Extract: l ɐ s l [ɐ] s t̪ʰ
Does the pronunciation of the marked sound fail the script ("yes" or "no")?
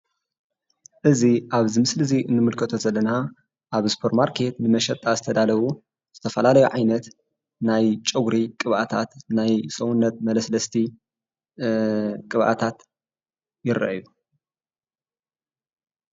no